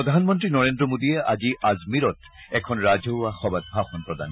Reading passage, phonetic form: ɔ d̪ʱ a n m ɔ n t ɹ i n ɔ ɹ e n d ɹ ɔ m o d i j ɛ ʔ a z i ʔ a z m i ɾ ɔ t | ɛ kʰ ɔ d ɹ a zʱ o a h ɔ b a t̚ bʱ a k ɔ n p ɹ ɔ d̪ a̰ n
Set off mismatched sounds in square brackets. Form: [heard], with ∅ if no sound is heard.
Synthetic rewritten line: ɔ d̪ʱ a n m ɔ n t ɹ i n ɔ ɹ e n d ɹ ɔ m o d i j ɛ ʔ a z i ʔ a z m i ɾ ɔ t | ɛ kʰ ɔ [n] ɹ a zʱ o a [x] ɔ b a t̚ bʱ a [x] ɔ n p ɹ ɔ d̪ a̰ n